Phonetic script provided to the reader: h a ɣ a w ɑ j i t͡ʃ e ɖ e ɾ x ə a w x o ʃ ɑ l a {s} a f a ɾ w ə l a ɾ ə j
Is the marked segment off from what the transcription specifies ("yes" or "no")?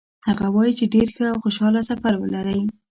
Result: no